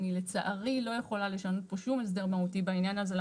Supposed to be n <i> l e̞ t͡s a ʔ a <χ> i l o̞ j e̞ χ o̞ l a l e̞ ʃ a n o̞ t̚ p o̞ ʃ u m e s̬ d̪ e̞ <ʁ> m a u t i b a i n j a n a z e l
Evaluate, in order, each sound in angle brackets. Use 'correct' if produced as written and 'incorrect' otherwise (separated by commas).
correct, incorrect, correct